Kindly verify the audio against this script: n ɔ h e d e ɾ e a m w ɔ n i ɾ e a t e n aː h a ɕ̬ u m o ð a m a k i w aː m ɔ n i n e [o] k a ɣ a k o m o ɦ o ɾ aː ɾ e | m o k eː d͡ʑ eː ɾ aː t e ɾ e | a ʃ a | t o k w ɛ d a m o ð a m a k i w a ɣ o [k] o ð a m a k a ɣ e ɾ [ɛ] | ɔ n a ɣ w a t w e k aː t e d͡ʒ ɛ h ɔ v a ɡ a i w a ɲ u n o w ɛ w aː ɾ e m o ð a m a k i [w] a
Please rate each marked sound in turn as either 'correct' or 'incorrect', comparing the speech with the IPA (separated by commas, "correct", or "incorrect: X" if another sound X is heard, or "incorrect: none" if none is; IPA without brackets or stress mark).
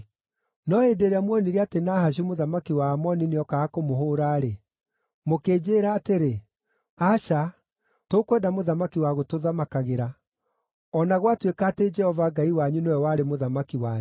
incorrect: ɔ, incorrect: t, incorrect: a, correct